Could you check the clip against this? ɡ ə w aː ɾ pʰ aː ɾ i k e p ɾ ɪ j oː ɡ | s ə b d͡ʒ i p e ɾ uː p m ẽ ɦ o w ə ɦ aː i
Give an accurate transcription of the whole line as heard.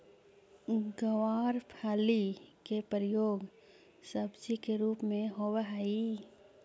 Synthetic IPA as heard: ɡ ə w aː ɾ pʰ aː l i k e p ɾ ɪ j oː ɡ | s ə b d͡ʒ i k e ɾ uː p m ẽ ɦ o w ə ɦ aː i